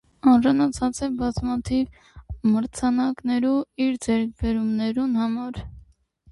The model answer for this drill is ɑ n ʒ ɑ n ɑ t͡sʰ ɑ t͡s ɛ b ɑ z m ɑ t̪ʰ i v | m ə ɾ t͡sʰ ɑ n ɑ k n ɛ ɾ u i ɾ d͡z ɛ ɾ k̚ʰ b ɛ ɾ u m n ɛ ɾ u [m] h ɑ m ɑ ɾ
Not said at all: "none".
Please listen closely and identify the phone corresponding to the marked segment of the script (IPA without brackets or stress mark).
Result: n